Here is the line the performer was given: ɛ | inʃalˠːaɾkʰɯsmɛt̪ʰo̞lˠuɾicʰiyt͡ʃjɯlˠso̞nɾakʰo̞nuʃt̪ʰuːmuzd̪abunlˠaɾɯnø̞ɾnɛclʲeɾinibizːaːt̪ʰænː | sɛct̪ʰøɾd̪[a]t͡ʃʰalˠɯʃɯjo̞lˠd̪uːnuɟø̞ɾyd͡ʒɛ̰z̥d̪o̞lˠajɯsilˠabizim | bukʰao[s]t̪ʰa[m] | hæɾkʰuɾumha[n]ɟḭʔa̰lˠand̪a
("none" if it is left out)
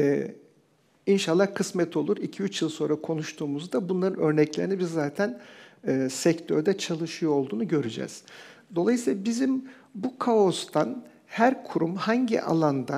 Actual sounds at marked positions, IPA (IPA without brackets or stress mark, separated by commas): ɛ, s, n, ɲ